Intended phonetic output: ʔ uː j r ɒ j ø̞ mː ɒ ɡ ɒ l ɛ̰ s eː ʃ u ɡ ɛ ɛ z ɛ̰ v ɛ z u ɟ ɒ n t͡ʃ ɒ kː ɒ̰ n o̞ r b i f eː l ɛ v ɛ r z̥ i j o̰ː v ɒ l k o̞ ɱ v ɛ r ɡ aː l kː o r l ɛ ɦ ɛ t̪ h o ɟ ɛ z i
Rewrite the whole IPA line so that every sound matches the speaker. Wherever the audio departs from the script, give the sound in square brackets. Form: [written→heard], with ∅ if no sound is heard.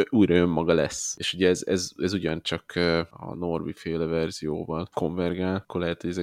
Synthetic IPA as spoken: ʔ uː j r ɒ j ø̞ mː ɒ ɡ ɒ l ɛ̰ s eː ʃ u [ɡ→ɟ] ɛ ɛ z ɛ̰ [v→z] ɛ z u ɟ ɒ n t͡ʃ ɒ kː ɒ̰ n o̞ r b i f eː l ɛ v ɛ r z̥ i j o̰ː v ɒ l k o̞ ɱ v ɛ r ɡ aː l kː o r l ɛ ɦ ɛ t̪ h o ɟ ɛ z [i→ɛ]